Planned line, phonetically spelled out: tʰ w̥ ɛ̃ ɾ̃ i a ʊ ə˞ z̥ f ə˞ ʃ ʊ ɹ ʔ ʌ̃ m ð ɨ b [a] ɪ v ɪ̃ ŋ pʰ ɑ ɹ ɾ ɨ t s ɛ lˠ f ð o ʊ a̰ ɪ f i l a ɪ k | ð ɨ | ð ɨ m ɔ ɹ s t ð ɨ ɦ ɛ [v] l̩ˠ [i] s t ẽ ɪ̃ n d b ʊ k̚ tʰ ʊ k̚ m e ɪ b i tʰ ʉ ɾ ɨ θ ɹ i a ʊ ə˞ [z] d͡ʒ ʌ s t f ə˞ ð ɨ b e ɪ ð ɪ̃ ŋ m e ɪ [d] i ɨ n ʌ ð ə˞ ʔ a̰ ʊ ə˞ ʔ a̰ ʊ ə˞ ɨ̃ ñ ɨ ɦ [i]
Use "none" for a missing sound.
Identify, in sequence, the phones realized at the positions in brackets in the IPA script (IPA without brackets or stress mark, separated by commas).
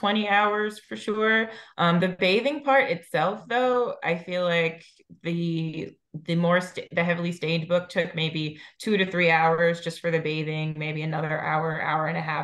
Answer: e, v, i, z, b, æ